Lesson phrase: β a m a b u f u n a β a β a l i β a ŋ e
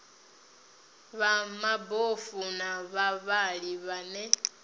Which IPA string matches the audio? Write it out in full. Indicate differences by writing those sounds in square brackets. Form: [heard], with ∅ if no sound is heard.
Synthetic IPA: β a m a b [o] f u n a β a β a l i β a [n] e